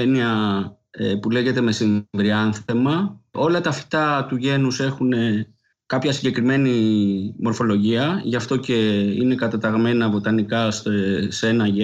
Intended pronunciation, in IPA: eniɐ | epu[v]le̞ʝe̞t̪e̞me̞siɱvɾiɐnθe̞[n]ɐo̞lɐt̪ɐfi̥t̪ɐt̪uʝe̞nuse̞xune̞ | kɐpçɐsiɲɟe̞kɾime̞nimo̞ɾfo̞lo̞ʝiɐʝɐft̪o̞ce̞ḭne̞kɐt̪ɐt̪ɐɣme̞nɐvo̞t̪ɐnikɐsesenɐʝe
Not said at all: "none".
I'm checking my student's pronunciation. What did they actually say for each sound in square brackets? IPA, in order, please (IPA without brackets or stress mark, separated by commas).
none, m